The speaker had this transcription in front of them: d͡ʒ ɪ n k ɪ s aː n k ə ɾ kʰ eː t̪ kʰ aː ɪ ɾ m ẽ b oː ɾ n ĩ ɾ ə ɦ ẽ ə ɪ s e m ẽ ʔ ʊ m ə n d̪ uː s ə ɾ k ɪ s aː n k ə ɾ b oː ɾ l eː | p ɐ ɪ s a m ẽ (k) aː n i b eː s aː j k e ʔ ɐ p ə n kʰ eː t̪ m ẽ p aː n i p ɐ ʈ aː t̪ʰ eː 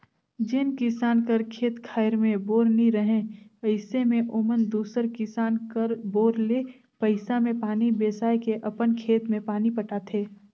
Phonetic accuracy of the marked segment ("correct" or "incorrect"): incorrect